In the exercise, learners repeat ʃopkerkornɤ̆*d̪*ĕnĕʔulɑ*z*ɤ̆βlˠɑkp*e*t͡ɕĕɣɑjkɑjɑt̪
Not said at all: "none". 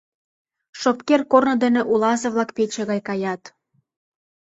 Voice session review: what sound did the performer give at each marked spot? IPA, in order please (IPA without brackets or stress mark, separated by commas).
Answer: d̪, z, e